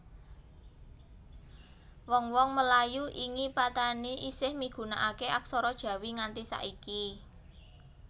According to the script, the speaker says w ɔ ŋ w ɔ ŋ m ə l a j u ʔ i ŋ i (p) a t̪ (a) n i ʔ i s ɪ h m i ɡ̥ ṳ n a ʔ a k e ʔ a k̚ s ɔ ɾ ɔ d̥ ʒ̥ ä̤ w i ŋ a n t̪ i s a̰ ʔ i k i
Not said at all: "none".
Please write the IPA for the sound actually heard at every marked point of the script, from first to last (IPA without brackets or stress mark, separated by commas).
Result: p, a